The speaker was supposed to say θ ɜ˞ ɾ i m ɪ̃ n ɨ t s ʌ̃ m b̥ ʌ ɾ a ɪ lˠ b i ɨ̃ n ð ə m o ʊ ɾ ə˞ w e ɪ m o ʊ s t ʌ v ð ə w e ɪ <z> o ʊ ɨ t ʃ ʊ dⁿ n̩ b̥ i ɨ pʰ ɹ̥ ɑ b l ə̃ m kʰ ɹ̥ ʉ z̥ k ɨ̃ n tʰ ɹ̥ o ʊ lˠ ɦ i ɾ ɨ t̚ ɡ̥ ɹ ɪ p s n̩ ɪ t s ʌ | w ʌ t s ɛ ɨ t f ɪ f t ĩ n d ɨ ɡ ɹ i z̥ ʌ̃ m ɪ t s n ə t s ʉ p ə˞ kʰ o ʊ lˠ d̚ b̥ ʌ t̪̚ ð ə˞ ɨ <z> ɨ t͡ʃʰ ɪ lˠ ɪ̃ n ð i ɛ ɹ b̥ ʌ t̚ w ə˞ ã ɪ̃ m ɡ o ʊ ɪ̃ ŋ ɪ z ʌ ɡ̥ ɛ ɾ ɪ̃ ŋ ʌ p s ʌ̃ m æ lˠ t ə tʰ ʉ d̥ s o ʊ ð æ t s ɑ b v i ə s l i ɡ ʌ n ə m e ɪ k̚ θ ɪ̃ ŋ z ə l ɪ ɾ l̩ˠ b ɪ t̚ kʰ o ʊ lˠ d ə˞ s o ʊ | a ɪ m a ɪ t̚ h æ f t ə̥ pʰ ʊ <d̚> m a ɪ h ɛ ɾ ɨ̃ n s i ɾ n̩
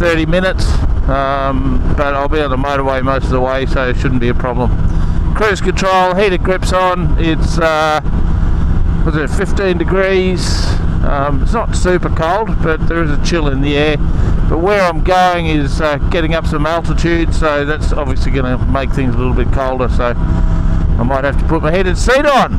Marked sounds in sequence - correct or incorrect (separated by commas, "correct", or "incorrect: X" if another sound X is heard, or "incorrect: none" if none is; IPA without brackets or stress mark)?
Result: incorrect: s, correct, incorrect: t̚